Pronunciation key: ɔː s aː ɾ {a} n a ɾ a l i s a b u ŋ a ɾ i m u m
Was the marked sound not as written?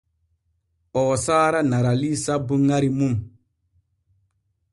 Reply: no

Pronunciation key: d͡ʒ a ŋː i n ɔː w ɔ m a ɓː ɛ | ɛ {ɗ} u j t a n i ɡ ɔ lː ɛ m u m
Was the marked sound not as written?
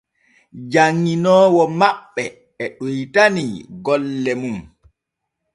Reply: no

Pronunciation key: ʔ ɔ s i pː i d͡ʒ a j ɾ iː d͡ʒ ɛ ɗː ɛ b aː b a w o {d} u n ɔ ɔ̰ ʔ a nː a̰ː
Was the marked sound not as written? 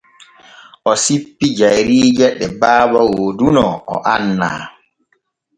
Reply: no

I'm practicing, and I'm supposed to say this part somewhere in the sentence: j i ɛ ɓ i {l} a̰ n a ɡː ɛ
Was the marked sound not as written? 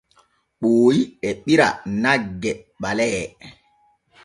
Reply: yes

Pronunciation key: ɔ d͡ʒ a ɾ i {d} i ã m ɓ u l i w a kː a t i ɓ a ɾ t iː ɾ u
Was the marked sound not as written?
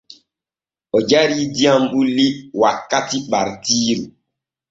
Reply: no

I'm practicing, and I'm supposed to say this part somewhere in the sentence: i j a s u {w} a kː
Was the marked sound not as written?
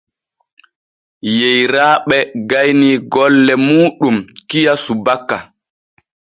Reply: yes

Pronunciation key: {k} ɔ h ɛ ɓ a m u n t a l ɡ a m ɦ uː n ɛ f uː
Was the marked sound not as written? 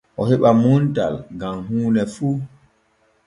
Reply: yes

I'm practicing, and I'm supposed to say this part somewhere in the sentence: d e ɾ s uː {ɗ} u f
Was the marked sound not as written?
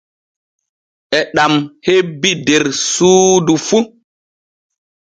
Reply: yes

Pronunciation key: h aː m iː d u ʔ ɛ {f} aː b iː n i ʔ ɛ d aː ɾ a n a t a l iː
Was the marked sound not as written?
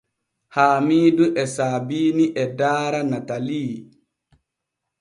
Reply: yes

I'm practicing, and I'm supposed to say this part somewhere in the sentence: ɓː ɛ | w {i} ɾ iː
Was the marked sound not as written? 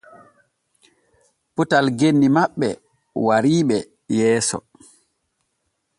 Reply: yes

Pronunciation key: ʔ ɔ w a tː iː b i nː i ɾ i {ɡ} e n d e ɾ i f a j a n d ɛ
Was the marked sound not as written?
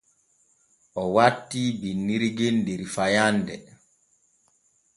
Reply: no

